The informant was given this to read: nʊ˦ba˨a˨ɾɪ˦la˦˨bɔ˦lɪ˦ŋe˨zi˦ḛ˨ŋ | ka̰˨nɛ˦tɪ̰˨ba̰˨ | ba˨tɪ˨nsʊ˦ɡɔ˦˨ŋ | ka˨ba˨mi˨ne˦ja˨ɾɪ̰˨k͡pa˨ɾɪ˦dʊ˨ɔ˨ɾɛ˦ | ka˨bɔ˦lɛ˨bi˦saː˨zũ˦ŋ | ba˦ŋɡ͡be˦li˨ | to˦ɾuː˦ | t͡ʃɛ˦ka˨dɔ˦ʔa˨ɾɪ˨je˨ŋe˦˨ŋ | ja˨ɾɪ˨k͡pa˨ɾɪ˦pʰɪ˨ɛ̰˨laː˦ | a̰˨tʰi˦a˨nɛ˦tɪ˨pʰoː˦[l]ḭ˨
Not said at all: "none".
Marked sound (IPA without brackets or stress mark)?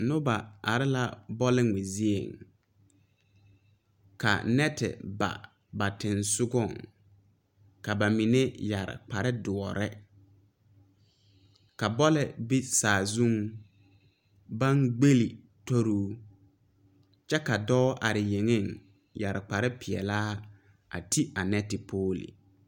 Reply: l